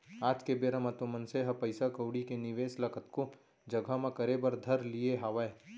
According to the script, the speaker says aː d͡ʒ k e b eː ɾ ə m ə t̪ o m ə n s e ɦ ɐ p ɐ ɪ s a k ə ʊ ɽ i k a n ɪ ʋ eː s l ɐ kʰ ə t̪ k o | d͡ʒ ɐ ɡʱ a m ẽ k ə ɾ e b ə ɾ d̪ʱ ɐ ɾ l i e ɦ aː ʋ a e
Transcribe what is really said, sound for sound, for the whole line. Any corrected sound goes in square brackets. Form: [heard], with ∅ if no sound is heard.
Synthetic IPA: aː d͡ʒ k e b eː ɾ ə m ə t̪ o m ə n s e ɦ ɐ p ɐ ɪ s a k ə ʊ ɽ i k [e] n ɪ ʋ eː s l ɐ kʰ ə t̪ k o | d͡ʒ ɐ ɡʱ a m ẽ k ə ɾ e b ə ɾ d̪ʱ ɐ ɾ l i e ɦ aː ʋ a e